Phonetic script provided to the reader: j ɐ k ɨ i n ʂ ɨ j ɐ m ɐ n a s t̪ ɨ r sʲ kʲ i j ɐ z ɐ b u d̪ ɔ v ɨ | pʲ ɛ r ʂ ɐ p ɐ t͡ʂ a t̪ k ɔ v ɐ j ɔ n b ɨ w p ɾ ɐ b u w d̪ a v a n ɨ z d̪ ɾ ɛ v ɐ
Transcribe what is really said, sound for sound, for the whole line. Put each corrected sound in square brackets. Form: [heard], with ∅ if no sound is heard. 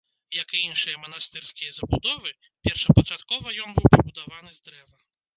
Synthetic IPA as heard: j ɐ k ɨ i n ʂ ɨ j ɐ m ɐ n a s t̪ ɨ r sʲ kʲ i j ɐ z ɐ b u d̪ ɔ v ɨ | pʲ ɛ r ʂ ɐ p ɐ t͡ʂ a t̪ k ɔ v ɐ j ɔ n b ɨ w p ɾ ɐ b u [∅] d̪ a v a n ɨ z d̪ ɾ ɛ v ɐ